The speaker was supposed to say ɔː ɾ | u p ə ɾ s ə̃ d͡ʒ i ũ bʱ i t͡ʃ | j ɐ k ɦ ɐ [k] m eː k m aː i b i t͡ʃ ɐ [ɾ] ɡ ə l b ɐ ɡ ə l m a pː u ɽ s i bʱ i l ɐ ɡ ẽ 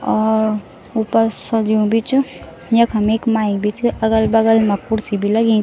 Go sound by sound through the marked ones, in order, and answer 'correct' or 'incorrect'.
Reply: incorrect, incorrect

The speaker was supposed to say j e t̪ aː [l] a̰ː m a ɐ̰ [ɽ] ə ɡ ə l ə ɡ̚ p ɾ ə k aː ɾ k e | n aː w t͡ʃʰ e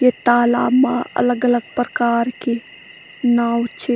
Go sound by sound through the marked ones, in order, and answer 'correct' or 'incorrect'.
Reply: correct, incorrect

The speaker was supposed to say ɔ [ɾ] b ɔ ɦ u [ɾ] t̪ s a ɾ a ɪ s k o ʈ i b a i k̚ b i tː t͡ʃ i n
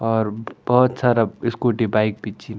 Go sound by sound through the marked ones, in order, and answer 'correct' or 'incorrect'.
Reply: correct, incorrect

